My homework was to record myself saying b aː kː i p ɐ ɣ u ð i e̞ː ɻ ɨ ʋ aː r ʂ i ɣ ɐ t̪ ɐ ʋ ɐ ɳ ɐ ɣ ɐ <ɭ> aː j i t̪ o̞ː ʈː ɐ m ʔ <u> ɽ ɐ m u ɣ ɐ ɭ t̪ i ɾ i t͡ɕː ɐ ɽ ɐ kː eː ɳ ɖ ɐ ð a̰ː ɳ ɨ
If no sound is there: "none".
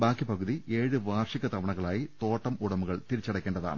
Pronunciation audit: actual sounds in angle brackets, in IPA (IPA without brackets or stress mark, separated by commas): ɭ, u